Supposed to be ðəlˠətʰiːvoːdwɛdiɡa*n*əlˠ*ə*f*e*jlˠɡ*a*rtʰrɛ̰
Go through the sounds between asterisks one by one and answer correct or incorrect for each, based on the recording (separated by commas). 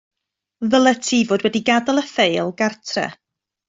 incorrect, correct, correct, correct